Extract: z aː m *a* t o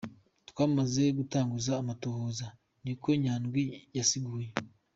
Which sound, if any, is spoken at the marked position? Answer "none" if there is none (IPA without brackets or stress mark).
a